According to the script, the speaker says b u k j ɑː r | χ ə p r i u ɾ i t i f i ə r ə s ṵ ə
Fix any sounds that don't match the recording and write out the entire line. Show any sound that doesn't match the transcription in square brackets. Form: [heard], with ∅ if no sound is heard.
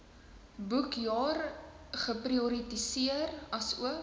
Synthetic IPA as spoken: b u k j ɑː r | χ ə p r i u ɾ i t i [s] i ə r [ɐ] s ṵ ə

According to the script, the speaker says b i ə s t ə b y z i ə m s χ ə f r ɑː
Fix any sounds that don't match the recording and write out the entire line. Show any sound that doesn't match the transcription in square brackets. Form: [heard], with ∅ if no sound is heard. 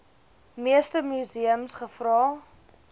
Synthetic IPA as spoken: [m] i ə s t ə [m] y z i ə m s χ ə f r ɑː

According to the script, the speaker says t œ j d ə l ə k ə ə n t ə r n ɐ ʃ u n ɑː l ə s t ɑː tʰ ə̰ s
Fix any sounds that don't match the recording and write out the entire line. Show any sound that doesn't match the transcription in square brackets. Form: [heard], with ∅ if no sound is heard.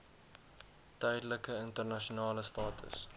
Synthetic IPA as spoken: t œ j d ə l ə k ə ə n t ə r n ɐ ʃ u n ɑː l ə s t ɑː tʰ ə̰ s

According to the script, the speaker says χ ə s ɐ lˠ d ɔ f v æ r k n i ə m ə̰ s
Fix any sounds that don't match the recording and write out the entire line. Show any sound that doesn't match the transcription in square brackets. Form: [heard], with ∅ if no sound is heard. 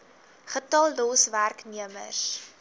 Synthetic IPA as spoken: χ ə [t] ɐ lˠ d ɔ [s] v æ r k n i ə m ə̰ s

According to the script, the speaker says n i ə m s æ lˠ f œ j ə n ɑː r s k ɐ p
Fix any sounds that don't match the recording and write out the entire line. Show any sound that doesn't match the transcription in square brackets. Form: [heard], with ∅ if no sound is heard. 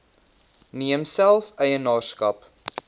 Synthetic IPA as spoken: n i ə m s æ lˠ f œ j ə n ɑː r s k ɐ p

